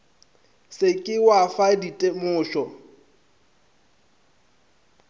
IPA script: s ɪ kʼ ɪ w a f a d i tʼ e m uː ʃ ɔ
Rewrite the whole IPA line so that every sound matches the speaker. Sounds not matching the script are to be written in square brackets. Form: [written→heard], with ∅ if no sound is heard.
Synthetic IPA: s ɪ kʼ ɪ w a f a d i tʼ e m [uː→ʊː] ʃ ɔ

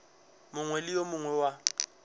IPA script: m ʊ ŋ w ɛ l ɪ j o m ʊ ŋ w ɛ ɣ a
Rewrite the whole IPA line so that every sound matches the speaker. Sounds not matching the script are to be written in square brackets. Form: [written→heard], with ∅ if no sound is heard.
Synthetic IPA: m ʊ ŋ w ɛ l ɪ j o m ʊ ŋ w ɛ [ɣ→w] a

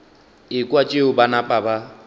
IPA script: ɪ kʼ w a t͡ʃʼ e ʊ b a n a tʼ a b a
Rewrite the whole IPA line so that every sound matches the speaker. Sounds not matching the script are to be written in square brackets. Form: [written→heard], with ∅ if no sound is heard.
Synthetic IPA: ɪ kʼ w a t͡ʃʼ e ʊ b a n a [tʼ→pʼ] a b a

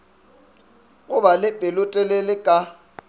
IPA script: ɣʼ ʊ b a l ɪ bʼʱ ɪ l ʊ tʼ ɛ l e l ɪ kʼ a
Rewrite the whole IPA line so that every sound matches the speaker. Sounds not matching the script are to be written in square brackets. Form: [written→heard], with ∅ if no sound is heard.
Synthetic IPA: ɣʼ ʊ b a l ɪ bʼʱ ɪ l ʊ tʼ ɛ l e l ɪ kʼ a

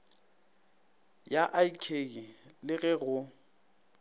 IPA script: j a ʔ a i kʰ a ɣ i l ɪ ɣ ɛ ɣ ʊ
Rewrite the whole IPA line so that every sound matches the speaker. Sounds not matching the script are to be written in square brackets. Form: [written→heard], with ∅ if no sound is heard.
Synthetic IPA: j a ʔ a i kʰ [a→e] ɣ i l ɪ ɣ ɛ ɣ ʊ

